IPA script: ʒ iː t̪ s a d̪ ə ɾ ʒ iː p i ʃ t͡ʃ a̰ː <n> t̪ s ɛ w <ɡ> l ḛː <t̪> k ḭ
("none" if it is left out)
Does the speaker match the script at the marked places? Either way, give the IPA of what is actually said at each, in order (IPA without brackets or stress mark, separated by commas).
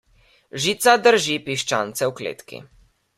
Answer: n, k, t̪